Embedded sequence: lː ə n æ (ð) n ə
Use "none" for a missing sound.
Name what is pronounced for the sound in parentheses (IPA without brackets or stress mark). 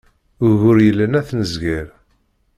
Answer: θ